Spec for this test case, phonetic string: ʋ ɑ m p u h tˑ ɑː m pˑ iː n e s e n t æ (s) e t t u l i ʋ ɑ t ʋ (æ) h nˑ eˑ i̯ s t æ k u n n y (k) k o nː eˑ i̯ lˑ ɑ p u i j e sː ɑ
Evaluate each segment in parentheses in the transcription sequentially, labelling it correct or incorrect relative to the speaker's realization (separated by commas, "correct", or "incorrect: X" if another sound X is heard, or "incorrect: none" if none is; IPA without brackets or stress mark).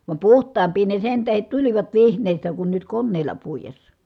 incorrect: h, incorrect: i, incorrect: t